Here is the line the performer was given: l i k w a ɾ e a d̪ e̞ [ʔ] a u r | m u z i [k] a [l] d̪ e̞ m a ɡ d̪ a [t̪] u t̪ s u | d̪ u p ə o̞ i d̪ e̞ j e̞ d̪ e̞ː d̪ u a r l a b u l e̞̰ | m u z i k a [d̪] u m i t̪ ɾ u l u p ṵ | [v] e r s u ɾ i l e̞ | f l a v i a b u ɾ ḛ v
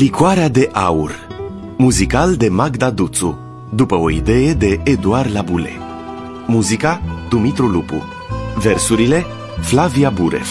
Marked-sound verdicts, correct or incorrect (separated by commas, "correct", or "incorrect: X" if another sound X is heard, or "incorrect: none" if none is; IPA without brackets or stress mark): correct, correct, correct, incorrect: d̪, correct, correct